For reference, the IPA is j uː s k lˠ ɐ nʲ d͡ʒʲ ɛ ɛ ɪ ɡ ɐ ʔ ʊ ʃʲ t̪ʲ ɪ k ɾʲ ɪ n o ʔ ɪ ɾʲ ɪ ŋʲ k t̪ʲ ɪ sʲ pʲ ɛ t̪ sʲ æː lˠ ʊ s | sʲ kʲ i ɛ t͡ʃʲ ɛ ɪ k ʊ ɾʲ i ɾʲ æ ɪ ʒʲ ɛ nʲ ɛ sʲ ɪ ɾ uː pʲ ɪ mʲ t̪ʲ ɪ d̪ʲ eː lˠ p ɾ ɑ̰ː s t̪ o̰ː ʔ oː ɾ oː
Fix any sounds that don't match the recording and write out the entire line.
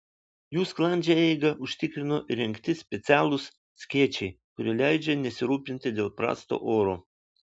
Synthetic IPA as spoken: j uː s k lˠ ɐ nʲ d͡ʒʲ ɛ ɛ ɪ ɡ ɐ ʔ ʊ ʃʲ t̪ʲ ɪ k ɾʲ ɪ n o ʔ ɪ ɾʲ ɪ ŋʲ k t̪ʲ ɪ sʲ pʲ ɛ t̪ sʲ æː lˠ ʊ s | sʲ kʲ i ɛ t͡ʃʲ ɛ ɪ k ʊ ɾʲ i lʲ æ ɪ d͡ʒʲ ɛ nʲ ɛ sʲ ɪ ɾ uː pʲ ɪ nʲ t̪ʲ ɪ d̪ʲ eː lˠ p ɾ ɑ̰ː s t̪ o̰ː ʔ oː ɾ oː